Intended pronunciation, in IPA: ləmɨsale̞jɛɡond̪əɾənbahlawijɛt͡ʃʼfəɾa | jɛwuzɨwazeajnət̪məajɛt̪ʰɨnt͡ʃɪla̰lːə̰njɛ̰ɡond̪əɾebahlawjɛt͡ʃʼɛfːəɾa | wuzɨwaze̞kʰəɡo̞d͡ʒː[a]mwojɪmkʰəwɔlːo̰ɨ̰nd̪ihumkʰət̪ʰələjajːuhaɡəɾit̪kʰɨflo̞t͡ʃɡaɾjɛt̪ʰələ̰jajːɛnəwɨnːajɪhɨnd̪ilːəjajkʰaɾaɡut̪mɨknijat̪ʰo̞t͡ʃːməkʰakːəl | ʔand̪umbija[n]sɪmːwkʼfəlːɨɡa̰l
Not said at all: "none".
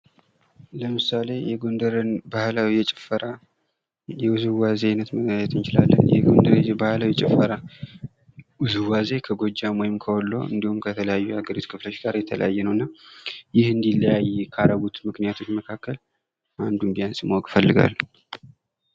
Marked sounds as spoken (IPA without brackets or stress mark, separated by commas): a, n